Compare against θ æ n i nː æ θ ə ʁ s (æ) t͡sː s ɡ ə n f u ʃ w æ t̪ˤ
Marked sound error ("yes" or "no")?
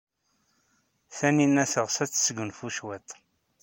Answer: no